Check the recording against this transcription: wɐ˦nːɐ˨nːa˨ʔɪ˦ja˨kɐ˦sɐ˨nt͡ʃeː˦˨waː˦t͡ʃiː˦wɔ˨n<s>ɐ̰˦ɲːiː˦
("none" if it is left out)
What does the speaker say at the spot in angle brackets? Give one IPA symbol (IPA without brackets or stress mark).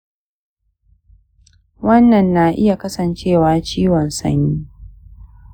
s